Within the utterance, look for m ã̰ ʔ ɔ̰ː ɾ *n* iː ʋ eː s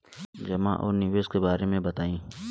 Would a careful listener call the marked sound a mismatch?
no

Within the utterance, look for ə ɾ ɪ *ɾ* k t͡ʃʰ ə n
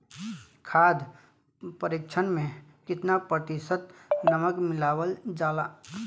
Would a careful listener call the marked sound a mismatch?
yes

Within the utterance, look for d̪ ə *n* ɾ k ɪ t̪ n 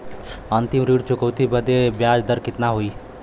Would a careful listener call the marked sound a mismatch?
yes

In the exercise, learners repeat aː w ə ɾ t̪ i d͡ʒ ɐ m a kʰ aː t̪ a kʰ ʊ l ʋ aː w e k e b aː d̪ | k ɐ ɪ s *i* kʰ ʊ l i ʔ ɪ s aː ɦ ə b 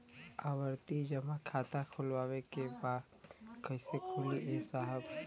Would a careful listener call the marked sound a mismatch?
yes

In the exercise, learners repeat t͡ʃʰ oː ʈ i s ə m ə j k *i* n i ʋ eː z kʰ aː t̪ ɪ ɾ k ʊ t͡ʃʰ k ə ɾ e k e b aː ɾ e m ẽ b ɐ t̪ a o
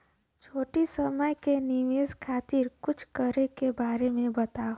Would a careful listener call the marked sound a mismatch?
yes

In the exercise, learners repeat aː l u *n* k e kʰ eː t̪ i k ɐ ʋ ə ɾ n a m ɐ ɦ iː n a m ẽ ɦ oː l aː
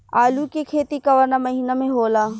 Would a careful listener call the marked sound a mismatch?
yes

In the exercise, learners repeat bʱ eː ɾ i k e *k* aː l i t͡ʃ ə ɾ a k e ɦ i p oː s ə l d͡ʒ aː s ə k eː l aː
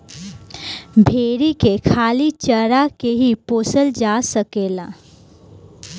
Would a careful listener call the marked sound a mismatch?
yes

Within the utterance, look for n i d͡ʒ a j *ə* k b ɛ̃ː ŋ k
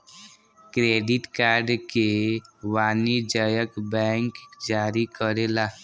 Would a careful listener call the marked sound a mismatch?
no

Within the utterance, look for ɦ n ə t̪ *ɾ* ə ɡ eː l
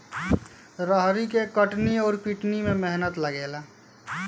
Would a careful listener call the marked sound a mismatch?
yes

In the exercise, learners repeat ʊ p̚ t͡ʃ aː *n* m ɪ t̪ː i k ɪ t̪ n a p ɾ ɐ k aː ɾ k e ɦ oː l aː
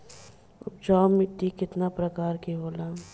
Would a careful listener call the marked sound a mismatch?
yes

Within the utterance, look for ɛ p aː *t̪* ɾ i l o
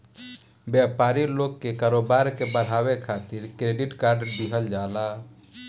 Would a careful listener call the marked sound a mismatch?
yes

